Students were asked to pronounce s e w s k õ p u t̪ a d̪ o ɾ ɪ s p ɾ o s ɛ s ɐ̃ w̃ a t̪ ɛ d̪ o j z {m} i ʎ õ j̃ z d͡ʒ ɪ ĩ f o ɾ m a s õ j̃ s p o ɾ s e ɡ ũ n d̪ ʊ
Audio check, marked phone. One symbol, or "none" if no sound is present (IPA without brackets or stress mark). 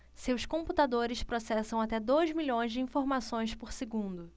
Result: m